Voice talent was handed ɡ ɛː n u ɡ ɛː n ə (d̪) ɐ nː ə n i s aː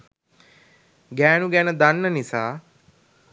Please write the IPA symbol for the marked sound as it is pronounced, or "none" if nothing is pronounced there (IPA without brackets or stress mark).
d̪